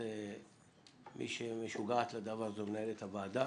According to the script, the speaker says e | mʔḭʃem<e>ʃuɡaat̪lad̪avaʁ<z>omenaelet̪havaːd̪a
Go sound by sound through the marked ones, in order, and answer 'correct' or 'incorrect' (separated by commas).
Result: correct, correct